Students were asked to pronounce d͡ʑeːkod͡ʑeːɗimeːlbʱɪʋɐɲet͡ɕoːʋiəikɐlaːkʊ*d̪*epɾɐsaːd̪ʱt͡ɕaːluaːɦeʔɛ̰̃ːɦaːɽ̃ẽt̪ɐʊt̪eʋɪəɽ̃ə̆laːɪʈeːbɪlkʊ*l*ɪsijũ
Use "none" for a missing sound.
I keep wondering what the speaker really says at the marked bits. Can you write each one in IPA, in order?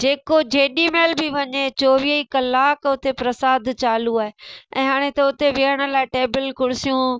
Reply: t̪, ɽ

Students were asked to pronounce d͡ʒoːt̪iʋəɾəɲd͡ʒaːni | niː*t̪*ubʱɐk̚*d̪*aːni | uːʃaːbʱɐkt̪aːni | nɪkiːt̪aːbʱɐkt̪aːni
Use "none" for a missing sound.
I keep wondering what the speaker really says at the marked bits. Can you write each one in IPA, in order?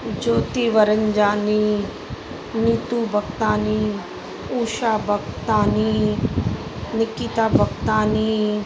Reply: t̪, t̪

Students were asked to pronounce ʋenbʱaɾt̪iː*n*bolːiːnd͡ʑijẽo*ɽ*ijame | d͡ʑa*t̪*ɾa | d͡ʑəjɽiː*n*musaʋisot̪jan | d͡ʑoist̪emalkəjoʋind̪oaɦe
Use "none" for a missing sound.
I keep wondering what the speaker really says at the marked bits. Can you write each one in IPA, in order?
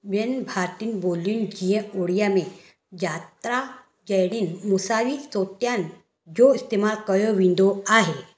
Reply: n, ɽ, t̪, n

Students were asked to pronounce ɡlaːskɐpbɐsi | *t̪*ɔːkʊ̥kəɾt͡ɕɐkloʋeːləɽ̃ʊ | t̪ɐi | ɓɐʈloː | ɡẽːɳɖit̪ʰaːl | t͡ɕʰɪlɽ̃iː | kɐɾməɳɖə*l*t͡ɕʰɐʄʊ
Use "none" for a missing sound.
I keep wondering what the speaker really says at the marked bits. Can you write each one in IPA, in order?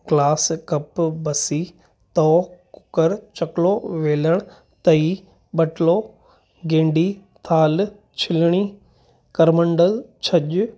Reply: t̪, l

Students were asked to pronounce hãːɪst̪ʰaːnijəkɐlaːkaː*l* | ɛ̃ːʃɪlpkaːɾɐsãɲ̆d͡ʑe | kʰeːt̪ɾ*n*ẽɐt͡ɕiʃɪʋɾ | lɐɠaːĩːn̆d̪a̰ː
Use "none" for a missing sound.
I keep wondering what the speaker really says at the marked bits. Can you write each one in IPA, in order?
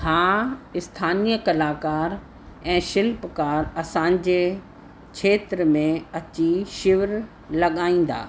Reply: ɾ, m

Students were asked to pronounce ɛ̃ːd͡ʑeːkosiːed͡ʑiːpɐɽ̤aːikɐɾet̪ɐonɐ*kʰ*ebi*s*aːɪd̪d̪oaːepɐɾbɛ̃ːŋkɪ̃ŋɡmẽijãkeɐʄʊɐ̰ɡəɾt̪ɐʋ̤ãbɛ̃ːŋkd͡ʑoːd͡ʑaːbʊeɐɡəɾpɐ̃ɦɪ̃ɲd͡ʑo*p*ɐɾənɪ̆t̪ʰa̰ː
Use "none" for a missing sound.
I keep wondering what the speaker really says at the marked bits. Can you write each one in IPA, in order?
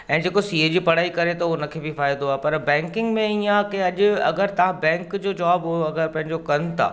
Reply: kʰ, f, k

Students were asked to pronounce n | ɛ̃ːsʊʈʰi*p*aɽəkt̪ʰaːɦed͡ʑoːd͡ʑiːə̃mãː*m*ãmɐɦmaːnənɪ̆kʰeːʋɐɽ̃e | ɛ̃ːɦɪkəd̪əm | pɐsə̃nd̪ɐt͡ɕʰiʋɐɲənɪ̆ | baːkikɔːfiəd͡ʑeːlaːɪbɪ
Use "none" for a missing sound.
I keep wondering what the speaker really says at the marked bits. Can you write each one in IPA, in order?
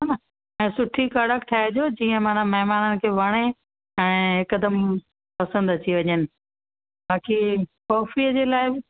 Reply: k, n

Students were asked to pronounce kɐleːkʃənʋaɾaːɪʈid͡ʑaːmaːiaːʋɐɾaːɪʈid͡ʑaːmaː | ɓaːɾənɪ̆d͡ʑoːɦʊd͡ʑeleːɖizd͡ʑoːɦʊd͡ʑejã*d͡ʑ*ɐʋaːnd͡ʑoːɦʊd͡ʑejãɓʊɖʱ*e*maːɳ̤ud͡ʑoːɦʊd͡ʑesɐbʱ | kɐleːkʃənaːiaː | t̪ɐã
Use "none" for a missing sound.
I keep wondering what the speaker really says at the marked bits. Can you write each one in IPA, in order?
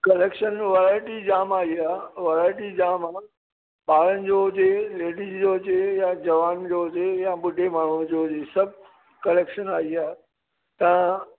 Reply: d͡ʑ, e

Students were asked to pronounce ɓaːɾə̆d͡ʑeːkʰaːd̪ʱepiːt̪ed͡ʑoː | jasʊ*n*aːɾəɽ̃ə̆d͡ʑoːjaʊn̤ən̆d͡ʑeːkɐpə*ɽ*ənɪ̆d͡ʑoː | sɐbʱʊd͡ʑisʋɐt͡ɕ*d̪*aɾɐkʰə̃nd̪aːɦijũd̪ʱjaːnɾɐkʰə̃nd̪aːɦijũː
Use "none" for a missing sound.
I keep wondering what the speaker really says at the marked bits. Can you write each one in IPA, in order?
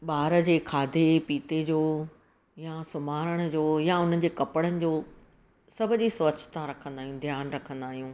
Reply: m, ɽ, t̪

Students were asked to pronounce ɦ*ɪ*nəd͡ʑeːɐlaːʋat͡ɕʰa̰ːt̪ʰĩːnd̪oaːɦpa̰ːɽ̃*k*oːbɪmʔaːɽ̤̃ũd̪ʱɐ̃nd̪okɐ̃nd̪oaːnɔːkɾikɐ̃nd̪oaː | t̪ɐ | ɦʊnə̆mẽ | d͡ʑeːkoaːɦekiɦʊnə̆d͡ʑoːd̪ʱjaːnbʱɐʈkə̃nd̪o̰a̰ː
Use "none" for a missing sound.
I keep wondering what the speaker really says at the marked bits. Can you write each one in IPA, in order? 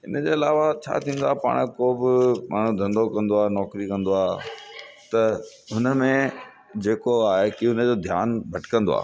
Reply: ɪ, k

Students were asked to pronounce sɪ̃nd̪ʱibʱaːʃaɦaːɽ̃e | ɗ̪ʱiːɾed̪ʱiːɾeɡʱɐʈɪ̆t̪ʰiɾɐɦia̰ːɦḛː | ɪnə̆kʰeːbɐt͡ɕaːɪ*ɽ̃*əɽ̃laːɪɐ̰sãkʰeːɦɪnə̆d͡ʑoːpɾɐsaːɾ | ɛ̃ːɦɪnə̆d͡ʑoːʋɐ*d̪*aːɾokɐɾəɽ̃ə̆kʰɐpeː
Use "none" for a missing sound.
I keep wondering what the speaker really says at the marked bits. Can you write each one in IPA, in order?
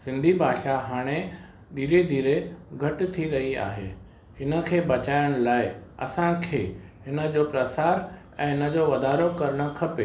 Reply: none, d̪

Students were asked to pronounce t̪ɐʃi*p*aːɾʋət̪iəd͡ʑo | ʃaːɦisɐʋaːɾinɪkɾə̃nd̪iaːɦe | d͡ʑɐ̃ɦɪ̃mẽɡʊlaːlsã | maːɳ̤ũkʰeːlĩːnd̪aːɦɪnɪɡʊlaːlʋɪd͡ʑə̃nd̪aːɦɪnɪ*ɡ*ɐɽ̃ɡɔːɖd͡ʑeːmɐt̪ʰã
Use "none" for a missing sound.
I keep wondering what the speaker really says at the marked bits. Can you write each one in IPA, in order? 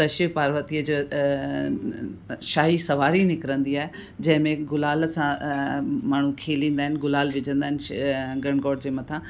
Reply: p, ɡ

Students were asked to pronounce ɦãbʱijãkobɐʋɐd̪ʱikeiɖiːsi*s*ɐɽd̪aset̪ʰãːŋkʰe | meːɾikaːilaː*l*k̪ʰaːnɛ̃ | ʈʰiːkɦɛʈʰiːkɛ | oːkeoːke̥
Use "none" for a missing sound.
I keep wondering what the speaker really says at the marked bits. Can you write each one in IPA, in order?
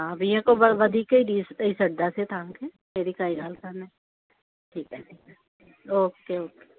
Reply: s, l

